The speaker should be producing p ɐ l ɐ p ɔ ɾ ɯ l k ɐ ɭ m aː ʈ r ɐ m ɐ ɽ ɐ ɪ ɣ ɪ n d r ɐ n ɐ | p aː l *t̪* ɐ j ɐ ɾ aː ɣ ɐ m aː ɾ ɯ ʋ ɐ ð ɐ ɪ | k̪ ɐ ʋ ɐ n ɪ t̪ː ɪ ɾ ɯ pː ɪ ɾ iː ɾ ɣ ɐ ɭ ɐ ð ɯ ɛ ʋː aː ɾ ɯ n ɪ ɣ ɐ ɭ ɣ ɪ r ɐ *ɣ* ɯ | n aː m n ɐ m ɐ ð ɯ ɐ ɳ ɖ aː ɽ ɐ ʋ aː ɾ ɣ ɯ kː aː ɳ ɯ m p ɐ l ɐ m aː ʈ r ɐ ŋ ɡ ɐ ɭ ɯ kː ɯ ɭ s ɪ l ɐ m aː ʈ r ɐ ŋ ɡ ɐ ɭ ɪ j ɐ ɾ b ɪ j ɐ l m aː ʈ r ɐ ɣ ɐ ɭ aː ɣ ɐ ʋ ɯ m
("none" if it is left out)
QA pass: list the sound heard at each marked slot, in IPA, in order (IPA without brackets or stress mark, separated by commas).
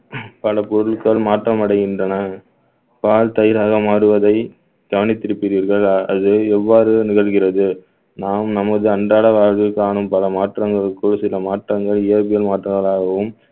t̪, ð